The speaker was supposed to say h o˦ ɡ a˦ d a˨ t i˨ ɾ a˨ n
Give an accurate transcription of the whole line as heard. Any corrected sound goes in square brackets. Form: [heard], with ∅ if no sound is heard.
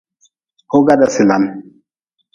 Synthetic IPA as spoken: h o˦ ɡ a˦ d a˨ [s] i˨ [l] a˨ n